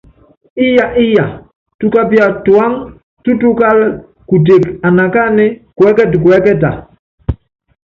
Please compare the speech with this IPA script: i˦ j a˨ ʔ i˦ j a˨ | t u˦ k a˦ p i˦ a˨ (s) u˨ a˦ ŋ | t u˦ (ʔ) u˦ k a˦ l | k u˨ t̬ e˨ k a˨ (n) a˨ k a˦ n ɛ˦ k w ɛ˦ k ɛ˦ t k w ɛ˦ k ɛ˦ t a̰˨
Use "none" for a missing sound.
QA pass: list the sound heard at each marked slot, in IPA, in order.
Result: t, t, n

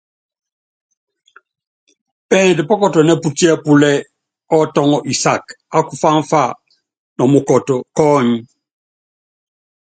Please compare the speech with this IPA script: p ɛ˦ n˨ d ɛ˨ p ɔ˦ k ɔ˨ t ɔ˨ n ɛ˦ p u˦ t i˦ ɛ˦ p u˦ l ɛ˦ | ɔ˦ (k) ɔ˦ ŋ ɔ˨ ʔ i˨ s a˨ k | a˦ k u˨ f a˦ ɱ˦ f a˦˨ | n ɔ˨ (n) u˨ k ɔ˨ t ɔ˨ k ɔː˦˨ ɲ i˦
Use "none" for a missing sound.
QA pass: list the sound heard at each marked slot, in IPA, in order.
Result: t, m

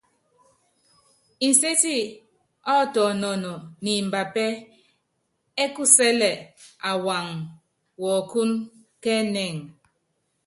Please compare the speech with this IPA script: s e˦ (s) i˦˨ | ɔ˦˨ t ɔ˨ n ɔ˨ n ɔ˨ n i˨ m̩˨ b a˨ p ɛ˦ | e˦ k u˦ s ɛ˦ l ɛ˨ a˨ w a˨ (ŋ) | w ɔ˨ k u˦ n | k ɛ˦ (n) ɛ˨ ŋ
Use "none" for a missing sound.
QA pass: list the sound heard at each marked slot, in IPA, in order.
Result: t, ŋ, n

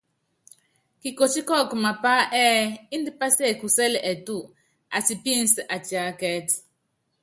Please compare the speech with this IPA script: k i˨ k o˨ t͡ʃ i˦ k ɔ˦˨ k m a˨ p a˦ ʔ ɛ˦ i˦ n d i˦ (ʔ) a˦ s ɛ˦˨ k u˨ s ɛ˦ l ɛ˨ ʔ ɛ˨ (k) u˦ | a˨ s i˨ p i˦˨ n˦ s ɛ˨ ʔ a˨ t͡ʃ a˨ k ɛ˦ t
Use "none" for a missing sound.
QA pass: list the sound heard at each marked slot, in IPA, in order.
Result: p, t

